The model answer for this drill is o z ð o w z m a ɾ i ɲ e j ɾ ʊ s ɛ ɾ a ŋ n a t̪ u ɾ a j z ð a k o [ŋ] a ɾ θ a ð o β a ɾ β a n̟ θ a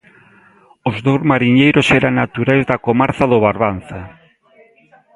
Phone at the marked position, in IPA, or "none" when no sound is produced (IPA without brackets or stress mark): m